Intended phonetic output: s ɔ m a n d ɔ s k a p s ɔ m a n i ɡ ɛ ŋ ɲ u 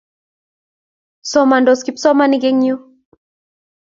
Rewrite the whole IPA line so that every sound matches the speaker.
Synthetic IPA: s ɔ m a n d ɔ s k i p s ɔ m a n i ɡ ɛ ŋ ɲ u